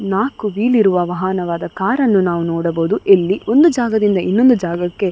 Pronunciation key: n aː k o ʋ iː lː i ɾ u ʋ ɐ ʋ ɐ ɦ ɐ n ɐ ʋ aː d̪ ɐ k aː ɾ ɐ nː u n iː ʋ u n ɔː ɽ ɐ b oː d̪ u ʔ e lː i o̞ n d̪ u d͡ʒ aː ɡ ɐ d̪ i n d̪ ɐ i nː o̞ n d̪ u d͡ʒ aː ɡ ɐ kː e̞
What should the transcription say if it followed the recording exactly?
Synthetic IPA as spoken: n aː k u ʋ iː l i ɾ u ʋ ɐ ʋ ɐ ɦ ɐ n ɐ ʋ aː d̪ ɐ k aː ɾ ɐ nː u n aː ʋ u n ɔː ɽ ɐ b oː d̪ u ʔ e lː i o̞ n d̪ u d͡ʒ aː ɡ ɐ d̪ i n d̪ ɐ i nː o̞ n d̪ u d͡ʒ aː ɡ ɐ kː e̞